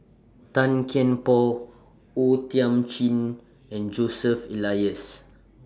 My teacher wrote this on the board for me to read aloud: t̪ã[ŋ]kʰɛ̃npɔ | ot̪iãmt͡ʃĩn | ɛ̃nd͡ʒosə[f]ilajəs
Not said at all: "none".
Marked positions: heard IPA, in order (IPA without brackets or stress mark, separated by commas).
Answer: n, f